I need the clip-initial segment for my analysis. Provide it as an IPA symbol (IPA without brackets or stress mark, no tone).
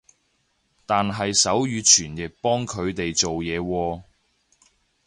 t̪